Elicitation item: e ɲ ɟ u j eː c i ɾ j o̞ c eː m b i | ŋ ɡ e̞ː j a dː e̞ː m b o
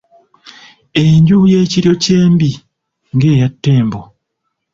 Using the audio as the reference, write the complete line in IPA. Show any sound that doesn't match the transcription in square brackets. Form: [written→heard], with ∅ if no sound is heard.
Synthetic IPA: e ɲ ɟ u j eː c i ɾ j o̞ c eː m b i | ŋ ɡ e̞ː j a [dː→tː] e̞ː m b o